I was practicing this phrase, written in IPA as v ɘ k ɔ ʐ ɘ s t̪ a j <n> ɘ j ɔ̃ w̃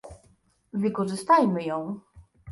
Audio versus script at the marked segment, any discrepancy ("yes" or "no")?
yes